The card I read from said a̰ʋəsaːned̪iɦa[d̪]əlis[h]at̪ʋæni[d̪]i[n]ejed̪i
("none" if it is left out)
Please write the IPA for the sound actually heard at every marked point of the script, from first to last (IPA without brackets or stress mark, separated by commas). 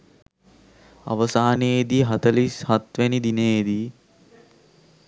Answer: t̪, h, d̪, n